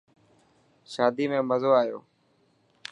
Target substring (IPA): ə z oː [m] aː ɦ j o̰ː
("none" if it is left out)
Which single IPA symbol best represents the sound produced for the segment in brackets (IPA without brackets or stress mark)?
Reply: none